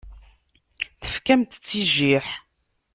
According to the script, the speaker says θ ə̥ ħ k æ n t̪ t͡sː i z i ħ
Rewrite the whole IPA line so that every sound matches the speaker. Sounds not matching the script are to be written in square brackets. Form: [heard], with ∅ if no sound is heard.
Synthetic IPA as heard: θ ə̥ [f] k æ [m] t̪ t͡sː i [ʒ] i ħ